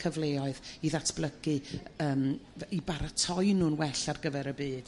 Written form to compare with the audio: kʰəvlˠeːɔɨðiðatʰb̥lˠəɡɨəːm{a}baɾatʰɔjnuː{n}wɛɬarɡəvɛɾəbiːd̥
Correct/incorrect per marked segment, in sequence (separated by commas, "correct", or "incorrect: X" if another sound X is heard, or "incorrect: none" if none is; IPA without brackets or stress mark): incorrect: i, correct